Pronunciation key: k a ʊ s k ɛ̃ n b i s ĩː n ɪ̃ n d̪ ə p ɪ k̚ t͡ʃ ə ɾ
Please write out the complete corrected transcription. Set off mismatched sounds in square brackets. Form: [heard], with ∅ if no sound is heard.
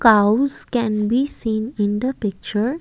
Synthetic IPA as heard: k a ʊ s k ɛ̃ n b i s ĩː n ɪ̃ n d̪ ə p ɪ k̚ t͡ʃ ə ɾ